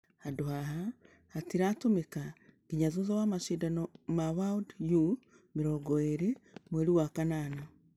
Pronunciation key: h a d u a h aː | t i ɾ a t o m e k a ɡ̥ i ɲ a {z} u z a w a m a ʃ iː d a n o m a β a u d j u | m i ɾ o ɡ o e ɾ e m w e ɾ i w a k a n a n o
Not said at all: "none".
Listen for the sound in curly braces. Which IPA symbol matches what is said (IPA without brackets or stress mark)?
z